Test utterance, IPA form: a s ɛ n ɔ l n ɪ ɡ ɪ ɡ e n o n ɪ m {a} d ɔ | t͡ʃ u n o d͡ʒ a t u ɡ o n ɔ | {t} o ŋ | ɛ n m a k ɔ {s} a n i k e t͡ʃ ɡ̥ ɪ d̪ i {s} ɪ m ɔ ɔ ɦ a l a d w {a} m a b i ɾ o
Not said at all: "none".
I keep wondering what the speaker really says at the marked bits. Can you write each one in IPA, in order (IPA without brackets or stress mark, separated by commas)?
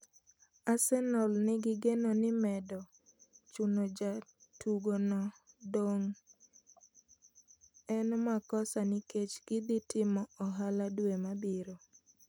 ɛ, d, s, t, e